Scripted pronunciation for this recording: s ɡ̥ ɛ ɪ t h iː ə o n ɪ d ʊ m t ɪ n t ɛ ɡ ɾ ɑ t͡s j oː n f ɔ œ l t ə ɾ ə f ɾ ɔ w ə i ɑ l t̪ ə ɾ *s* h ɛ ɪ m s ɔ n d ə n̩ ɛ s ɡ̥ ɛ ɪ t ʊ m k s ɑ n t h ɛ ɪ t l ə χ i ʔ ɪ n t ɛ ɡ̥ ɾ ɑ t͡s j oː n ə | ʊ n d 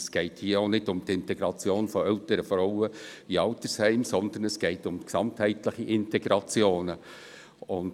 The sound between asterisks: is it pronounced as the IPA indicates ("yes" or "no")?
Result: yes